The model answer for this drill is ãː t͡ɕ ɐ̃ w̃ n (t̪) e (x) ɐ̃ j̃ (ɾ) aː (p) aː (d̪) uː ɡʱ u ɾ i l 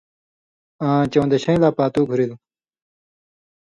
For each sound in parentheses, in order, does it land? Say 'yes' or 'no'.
no, no, no, yes, no

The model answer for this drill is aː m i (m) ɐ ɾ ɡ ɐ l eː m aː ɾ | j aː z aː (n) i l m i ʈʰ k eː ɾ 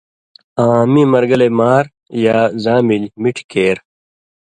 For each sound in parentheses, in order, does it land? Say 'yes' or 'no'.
yes, no

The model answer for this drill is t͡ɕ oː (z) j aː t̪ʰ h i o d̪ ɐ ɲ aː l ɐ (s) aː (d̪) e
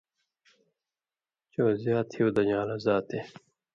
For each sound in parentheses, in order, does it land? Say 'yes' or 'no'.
yes, no, no

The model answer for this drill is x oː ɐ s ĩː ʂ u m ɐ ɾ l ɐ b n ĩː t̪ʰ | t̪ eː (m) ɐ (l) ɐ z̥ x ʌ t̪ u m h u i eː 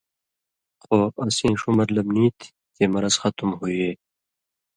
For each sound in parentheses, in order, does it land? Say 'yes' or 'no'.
yes, no

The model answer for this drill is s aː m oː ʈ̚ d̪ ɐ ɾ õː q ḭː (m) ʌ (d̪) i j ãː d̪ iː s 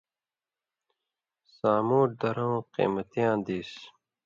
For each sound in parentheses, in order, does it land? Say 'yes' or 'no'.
yes, no

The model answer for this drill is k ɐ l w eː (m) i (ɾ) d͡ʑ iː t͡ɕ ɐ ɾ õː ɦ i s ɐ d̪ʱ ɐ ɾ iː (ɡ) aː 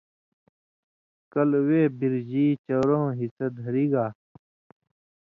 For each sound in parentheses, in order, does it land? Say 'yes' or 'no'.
no, yes, yes

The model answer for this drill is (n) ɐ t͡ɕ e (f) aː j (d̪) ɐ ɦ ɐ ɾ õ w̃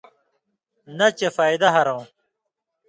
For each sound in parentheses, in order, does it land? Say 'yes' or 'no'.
yes, yes, yes

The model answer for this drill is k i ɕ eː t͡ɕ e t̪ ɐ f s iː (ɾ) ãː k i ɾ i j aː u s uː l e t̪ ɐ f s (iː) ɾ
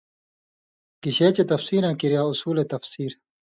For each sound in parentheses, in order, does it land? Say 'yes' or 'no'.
yes, yes

